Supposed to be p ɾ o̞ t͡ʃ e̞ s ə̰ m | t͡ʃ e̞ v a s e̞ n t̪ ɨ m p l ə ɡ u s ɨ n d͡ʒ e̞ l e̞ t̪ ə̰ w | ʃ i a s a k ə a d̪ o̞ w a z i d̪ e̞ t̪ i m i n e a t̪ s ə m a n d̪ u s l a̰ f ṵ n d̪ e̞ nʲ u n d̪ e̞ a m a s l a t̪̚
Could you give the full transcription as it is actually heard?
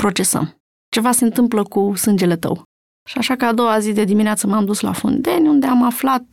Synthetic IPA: p ɾ o̞ t͡ʃ e̞ s ə̰ m | t͡ʃ e̞ v a s e̞ n t̪ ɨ m p l ə k u s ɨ n d͡ʒ e̞ l e̞ t̪ ə̰ w | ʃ i a ʃ a k ə a d̪ o̞ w a z i d̪ e̞ d̪ i m i n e a t̪ s ə m a m d̪ u s l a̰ f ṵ n d̪ e̞ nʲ u n d̪ e̞ a m a f l a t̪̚